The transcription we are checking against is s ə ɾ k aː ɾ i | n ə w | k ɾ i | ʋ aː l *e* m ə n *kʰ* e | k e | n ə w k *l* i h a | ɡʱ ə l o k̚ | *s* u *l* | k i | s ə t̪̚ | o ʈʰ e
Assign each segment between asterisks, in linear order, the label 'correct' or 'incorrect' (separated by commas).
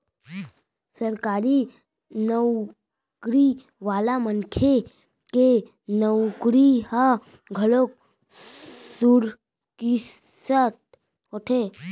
incorrect, correct, incorrect, correct, incorrect